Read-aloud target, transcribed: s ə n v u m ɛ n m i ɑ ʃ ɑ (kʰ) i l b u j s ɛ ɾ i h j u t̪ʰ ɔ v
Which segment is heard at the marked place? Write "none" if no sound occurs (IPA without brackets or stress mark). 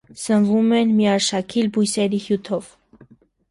kʰ